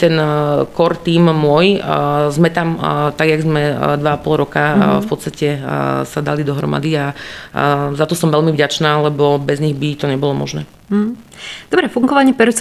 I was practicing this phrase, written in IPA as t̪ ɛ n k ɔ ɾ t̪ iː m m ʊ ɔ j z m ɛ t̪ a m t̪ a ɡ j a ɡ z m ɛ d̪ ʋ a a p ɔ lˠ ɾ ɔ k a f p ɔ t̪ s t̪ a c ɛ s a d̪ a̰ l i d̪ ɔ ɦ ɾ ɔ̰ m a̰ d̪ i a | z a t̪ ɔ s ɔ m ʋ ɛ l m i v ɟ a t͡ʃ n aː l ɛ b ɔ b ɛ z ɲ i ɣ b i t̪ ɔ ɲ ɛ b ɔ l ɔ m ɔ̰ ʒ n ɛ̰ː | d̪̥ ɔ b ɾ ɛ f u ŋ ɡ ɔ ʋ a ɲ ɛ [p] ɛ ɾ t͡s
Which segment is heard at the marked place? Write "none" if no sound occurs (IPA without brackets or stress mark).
p